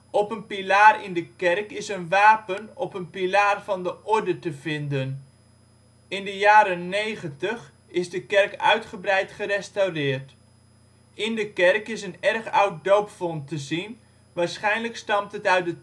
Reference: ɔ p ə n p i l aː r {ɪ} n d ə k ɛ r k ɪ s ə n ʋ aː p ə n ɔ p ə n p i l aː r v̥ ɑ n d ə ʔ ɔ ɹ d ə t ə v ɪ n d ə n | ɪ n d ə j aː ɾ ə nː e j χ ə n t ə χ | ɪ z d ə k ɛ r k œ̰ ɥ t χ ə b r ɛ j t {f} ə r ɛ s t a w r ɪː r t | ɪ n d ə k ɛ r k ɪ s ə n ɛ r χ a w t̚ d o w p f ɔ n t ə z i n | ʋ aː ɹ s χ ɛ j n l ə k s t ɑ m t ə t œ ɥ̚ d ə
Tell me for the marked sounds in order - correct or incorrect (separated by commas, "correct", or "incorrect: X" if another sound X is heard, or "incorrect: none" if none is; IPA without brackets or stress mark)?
correct, incorrect: χ